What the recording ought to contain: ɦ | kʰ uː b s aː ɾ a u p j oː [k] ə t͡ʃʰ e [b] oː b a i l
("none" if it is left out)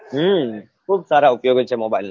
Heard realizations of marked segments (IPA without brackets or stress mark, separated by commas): ɡ, m